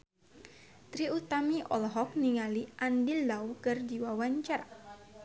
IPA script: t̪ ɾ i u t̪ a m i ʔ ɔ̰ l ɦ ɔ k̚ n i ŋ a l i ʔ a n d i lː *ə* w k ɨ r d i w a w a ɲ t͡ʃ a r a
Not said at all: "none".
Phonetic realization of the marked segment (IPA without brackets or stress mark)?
a